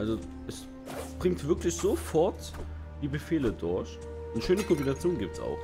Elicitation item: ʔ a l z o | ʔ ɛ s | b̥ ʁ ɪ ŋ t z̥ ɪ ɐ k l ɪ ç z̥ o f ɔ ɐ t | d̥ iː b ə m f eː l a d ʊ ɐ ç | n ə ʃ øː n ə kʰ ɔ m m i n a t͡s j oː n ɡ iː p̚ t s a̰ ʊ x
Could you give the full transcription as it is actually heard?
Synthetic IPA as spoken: ʔ a l z o | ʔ ɛ s | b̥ ʁ ɪ ŋ t v̥ ɪ ɐ k l ɪ ç z̥ o f ɔ ɐ t | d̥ iː b ə f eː l ə d ʊ ɐ ç | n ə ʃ øː n ə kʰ ɔ m b i n a t͡s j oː n ɡ iː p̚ t s a̰ ʊ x